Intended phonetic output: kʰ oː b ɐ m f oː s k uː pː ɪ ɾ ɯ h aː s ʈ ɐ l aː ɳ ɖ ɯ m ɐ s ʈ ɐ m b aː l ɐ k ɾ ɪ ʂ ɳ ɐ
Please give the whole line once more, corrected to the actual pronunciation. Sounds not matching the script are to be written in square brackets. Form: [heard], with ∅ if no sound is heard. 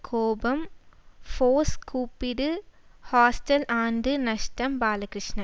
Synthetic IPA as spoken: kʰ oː b ɐ m f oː s k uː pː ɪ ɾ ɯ h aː s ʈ ɐ l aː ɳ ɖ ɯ [n] ɐ [ʂ] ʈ ɐ m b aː l ɐ k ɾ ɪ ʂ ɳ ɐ